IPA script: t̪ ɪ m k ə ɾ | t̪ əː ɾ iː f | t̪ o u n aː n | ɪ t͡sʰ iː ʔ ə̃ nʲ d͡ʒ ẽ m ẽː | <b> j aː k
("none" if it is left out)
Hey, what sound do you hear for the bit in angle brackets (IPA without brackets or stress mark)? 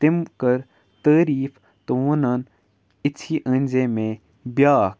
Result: b